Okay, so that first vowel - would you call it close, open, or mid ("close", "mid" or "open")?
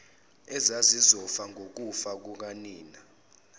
mid